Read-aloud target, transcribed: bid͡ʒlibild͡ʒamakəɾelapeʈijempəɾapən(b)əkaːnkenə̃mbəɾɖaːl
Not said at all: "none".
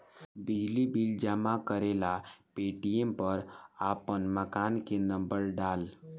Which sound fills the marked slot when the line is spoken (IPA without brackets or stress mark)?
m